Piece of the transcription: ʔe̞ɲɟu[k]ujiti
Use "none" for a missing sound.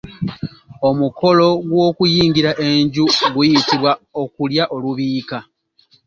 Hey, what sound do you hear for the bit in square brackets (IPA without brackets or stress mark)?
ɡ